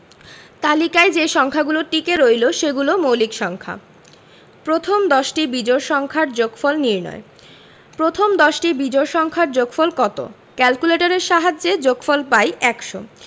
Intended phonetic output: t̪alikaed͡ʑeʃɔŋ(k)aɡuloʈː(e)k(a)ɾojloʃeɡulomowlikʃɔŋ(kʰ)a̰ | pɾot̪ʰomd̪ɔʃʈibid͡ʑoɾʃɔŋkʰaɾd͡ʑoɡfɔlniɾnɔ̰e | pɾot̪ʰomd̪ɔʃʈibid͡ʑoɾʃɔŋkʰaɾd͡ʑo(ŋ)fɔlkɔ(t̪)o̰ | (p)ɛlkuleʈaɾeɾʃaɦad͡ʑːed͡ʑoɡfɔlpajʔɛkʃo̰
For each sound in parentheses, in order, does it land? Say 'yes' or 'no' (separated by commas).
no, no, no, yes, no, yes, no